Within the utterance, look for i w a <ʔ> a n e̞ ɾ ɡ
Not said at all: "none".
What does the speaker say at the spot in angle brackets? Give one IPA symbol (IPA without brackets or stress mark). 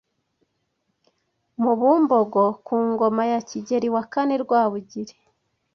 k